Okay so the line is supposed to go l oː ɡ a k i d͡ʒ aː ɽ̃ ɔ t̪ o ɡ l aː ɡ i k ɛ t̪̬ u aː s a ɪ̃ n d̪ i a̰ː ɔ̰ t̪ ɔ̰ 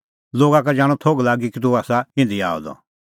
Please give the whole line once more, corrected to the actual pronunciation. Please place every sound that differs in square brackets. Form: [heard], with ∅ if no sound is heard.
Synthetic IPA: l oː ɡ a k [a] d͡ʒ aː ɽ̃ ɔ [t̪ʰ] o ɡ l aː ɡ i k [i] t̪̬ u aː s a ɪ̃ n d̪ i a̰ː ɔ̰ [d̪] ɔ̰

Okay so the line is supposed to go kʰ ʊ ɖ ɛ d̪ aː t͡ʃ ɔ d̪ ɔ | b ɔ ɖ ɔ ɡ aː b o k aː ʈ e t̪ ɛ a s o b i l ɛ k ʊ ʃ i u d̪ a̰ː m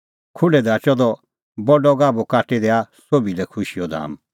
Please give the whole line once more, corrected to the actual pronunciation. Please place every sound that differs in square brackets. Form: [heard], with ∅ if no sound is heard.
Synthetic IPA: kʰ ʊ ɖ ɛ d̪ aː t͡ʃ ɔ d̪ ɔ | b ɔ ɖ ɔ ɡ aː b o k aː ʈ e [d̪] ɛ a s o b i l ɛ [kʰ] ʊ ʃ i [ɔ] d̪ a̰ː m

